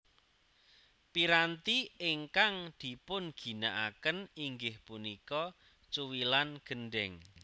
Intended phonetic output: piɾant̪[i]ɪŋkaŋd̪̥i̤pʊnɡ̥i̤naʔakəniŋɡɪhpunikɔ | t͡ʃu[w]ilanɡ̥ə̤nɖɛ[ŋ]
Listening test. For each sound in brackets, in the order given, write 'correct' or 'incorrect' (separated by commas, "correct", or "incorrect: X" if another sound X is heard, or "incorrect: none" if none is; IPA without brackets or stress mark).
correct, correct, correct